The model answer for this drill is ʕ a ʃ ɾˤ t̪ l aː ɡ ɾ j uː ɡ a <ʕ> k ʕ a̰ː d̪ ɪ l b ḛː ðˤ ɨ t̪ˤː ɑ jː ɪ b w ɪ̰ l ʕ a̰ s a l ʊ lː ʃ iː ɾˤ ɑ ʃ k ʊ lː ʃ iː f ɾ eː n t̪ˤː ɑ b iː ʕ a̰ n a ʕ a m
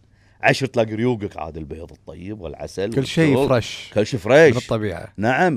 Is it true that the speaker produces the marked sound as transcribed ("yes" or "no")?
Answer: no